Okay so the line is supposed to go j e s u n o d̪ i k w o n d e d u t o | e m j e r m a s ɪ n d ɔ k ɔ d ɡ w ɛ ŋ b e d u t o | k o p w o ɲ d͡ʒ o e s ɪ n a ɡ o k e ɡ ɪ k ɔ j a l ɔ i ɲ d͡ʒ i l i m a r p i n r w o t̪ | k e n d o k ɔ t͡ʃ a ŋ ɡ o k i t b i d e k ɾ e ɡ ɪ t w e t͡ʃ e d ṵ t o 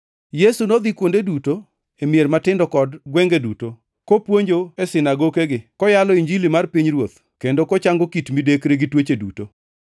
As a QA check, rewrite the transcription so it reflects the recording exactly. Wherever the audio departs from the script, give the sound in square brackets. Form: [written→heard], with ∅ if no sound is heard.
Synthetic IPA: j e s u n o d̪ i k w o n d e d u t o | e m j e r m a [s→t] ɪ n d ɔ k ɔ d ɡ w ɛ ŋ [b→ɡ] e d u t o | k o p w o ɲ d͡ʒ o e s ɪ n a ɡ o k e ɡ ɪ k ɔ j a l ɔ i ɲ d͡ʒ i l i m a r p i [n→ɲ] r w o t̪ | k e n d o k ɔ t͡ʃ a ŋ ɡ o k i t [b→m] i d e k ɾ e ɡ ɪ t w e t͡ʃ e d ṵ t o